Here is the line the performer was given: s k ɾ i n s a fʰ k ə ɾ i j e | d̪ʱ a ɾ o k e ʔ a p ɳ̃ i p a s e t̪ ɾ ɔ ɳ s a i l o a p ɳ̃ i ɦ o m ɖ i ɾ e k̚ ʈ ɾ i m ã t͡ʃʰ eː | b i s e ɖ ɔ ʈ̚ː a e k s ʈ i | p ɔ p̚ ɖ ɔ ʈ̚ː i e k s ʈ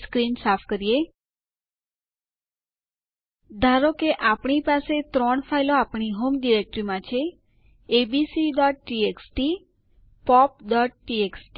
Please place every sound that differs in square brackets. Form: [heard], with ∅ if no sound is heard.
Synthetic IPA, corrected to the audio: s k ɾ i n s a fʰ k ə ɾ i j e | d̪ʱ a ɾ o k e ʔ a p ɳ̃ i p a s e t̪ ɾ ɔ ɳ [f] a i l o a p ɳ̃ i ɦ o m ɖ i ɾ e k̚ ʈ ɾ i m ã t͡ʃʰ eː | b i s [i] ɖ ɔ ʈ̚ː [i] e k s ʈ i | p ɔ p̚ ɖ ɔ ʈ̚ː i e k s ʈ